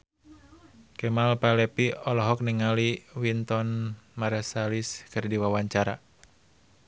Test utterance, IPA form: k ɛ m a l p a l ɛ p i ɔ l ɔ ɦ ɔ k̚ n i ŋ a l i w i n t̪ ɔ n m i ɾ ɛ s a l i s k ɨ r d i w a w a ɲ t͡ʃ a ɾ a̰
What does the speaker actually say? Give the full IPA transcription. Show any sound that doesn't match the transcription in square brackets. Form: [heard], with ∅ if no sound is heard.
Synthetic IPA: k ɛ m a l p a l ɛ p i ɔ l ɔ ɦ ɔ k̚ n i ŋ a l i w i n t̪ ɔ n m [a] ɾ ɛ s a l i s k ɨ r d i w a w a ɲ t͡ʃ a ɾ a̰